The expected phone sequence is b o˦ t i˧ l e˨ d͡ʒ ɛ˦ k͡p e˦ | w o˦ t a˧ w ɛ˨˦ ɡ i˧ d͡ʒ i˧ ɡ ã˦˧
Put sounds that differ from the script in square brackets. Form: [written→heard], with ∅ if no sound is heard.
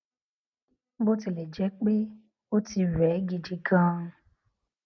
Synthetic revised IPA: b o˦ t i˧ l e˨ d͡ʒ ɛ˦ k͡p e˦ | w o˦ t [a˧→i˧] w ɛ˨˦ ɡ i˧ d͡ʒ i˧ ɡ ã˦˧